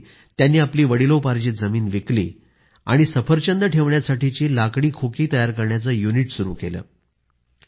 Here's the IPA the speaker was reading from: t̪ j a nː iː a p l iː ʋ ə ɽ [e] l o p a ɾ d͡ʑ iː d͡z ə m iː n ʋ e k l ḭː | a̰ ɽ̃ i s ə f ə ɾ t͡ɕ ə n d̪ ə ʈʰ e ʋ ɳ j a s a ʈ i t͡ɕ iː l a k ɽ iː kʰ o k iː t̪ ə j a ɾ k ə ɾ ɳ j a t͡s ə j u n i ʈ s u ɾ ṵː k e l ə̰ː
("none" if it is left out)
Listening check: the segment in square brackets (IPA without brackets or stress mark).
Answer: i